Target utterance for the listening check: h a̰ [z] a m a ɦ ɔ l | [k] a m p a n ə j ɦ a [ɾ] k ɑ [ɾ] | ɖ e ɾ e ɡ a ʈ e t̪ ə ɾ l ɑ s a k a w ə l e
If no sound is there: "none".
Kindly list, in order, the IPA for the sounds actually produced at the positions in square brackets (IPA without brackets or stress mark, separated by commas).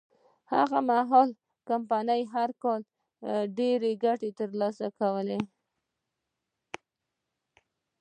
ɣ, k, ɾ, l